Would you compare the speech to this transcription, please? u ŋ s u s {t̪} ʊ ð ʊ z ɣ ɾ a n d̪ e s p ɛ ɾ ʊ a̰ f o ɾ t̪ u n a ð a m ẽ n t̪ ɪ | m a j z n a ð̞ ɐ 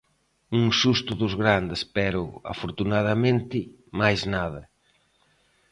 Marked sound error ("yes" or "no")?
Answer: no